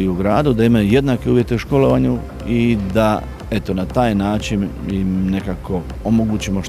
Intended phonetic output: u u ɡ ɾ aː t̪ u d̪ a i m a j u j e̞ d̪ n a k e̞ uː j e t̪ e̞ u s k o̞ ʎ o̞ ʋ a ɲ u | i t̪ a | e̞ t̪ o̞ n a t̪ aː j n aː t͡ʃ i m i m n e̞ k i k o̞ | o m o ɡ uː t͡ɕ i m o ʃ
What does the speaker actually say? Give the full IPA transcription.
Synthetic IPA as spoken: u u ɡ ɾ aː d̪ u d̪ a i m a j u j e̞ d̪ n a k e̞ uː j e t̪ e̞ u ʃ k o̞ l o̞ ʋ a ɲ u | i d̪ a | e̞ t̪ o̞ n a t̪ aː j n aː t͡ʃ i n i m n e̞ k a k o̞ | o m o ɡ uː t͡ɕ i m o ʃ